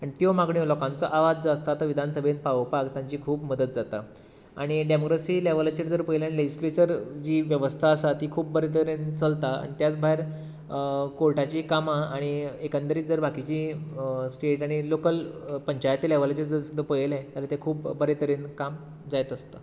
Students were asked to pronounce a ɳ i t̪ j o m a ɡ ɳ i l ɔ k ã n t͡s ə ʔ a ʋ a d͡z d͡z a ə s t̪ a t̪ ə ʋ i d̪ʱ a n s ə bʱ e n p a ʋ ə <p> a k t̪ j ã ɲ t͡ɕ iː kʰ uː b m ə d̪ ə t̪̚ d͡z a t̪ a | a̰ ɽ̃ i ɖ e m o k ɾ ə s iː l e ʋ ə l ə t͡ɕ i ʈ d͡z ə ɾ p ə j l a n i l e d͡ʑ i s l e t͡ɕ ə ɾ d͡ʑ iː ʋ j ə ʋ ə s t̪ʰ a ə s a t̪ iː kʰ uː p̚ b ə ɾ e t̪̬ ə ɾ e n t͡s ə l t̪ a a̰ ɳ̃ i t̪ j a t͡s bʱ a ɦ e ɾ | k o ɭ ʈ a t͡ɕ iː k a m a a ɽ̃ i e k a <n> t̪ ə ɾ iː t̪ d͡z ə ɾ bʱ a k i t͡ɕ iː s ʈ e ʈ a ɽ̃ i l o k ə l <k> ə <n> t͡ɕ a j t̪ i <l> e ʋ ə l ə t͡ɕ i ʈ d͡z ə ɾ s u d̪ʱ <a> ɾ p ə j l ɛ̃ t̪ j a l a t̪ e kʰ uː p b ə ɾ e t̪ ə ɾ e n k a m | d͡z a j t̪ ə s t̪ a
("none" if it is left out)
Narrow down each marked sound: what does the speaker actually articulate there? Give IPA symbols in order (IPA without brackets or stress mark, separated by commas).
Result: p, n, p, ɲ, l, ə